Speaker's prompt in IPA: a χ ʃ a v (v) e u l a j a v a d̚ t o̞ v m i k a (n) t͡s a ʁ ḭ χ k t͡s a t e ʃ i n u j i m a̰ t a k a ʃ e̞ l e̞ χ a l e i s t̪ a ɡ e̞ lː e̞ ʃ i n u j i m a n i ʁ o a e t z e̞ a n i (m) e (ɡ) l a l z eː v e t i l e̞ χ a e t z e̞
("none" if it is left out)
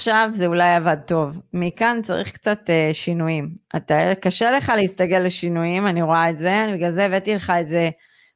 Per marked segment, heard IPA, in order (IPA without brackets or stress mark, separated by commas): z, n, b, ɡ